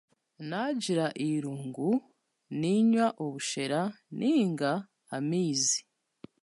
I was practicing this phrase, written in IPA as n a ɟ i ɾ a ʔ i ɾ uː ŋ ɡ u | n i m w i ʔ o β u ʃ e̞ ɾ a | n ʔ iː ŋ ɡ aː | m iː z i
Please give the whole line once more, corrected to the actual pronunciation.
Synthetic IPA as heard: n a ɟ i ɾ a ʔ i ɾ uː ŋ ɡ u | n i ɲ w a ʔ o β u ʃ e̞ ɾ a | n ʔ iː ŋ ɡ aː | m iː z i